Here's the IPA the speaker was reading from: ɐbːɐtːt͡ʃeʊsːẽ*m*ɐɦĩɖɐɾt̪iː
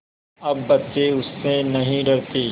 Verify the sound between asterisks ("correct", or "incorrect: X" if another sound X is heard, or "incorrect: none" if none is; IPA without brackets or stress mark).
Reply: incorrect: n